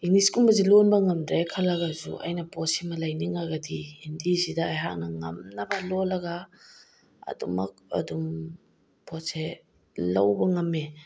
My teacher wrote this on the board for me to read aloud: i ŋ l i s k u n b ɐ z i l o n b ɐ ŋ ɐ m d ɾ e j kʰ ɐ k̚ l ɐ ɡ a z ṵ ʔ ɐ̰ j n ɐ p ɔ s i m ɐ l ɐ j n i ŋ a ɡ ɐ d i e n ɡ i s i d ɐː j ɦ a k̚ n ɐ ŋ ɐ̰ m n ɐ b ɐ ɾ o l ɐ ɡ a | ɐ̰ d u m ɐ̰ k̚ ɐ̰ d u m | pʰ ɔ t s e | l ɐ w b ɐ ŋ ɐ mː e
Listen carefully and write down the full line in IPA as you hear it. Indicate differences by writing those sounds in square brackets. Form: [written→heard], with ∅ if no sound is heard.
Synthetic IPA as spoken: i ŋ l i s k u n b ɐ z i l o n b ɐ ŋ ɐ m d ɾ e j kʰ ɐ [k̚→∅] l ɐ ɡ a z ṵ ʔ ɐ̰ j n ɐ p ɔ s i m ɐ l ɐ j n i ŋ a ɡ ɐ d i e n [ɡ→d] i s i d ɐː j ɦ a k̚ n ɐ ŋ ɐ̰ m n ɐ b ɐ [ɾ→l] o l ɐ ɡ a | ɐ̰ d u m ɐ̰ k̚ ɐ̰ d u m | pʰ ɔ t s e | l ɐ w b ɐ ŋ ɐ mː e